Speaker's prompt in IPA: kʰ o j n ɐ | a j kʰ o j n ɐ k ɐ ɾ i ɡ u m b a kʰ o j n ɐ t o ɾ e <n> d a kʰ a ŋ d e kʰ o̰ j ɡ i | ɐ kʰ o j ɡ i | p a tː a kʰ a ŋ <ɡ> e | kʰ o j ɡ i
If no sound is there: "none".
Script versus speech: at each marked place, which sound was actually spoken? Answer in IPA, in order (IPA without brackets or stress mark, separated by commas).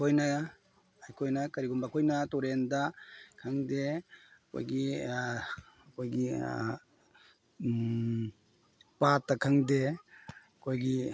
n, d